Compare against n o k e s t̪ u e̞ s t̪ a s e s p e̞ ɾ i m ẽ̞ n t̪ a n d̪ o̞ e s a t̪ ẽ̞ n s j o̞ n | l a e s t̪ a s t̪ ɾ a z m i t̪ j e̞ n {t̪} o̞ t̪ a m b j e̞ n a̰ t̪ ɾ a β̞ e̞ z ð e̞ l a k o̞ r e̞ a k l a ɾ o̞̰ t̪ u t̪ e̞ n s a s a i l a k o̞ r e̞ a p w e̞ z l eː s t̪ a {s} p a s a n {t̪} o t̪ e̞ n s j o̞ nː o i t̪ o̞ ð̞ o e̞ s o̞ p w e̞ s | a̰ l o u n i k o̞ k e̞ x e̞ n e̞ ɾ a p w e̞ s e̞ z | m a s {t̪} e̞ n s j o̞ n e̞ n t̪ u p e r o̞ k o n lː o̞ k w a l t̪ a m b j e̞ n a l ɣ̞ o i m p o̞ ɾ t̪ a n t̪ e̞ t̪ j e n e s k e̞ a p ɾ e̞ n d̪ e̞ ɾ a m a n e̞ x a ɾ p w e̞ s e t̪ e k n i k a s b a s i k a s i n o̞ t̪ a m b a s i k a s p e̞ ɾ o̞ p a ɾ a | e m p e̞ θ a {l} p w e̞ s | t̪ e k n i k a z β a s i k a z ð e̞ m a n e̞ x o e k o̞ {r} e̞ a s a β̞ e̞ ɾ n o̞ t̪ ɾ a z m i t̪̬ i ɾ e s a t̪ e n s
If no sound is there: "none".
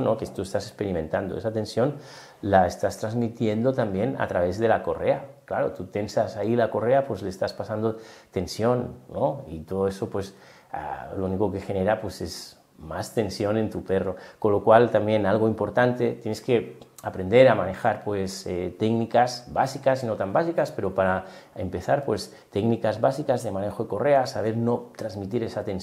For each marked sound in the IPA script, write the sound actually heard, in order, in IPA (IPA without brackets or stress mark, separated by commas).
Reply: d̪, s, d̪, t̪, ɾ, r